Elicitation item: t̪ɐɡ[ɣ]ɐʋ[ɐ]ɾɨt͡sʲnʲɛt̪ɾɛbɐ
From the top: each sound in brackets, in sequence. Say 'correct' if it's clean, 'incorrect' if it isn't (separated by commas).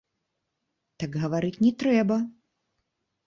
correct, incorrect